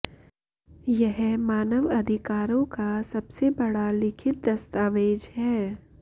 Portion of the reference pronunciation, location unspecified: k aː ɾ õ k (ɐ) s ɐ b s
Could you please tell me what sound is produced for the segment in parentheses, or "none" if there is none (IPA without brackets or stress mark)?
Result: a